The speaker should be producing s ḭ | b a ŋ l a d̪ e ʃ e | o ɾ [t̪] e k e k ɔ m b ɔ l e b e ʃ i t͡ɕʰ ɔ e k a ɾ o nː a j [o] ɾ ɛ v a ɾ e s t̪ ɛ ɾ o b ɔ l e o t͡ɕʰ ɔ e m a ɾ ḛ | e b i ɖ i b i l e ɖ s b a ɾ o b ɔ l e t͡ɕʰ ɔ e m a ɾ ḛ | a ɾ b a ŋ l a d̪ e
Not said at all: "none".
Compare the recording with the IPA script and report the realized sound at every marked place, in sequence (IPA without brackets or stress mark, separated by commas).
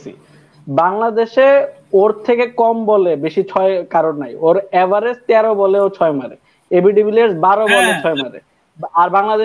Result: t̪ʰ, o